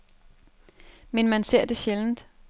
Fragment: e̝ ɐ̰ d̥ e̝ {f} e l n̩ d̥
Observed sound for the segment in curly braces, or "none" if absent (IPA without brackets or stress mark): ɕ